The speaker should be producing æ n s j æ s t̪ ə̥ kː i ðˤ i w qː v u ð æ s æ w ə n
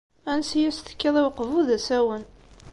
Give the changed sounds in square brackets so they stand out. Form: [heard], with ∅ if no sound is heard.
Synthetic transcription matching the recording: æ n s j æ s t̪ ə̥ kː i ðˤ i w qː v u ð æ s æ w ə n